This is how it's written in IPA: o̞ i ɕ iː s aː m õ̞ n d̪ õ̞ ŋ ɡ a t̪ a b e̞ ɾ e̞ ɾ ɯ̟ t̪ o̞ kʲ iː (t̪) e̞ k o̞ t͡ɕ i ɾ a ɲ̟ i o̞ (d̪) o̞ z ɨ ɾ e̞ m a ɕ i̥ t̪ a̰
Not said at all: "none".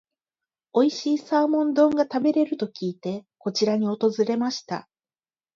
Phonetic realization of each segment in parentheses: t̪, t̪

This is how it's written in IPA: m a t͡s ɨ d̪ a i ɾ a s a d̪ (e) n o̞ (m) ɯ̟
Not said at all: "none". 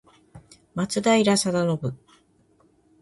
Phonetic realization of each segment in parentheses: a, b

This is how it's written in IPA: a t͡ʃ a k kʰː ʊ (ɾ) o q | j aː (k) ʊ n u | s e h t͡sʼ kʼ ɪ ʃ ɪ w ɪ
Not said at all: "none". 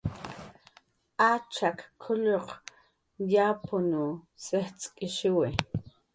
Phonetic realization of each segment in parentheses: ʎ, p

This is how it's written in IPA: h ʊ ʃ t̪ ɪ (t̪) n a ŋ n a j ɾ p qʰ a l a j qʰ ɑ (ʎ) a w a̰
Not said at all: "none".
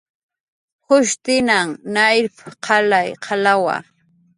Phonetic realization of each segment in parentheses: none, l

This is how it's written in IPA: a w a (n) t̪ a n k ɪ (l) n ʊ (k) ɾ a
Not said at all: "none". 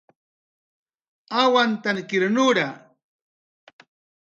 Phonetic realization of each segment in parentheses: n, ɾ, none

